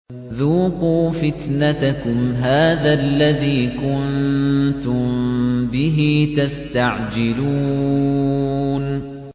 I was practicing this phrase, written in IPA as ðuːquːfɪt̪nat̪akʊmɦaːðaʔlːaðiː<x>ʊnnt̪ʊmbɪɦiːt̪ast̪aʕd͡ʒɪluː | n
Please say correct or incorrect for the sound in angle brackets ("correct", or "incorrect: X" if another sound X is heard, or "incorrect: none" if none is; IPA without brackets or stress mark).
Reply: incorrect: k